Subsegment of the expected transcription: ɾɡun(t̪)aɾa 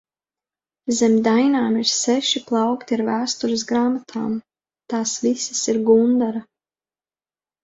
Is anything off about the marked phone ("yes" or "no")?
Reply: yes